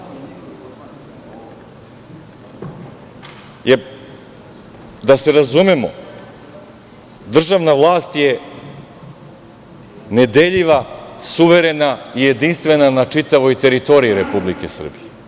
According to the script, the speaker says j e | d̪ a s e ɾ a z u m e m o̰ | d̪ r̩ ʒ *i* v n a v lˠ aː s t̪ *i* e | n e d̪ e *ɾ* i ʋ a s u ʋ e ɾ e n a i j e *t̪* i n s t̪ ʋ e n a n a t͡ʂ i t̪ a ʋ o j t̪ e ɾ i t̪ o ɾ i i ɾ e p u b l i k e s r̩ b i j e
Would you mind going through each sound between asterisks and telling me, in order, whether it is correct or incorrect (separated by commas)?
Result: incorrect, incorrect, incorrect, incorrect